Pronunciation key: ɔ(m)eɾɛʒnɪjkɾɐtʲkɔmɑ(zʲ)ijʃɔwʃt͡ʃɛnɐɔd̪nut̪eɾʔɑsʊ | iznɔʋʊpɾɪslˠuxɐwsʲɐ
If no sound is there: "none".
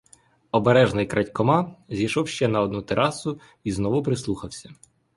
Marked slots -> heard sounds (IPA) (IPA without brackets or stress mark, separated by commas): b, zʲ